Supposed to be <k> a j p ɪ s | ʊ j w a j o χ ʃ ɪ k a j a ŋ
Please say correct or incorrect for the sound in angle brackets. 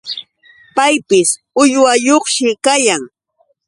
incorrect: p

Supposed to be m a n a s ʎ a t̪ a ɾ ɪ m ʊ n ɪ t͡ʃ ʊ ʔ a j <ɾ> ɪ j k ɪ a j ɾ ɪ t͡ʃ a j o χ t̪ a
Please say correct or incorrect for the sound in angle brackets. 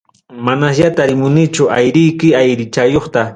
correct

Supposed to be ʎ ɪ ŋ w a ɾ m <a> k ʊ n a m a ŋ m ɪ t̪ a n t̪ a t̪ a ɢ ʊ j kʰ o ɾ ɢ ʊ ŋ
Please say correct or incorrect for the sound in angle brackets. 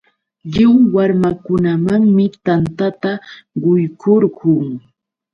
correct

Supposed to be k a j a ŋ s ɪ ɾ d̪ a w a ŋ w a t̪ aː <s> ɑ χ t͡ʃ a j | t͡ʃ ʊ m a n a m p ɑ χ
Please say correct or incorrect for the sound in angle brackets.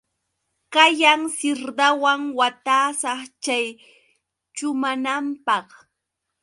correct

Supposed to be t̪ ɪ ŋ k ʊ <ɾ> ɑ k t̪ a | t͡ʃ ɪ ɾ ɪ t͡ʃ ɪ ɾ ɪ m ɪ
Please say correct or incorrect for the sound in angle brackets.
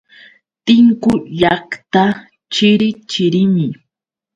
incorrect: ʎ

